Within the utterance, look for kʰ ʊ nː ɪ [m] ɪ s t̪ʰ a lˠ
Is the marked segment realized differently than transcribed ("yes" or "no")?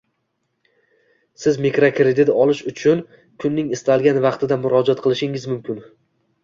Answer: yes